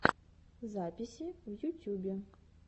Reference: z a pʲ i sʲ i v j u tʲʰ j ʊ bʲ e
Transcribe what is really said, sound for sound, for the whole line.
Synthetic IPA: z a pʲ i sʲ i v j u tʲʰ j u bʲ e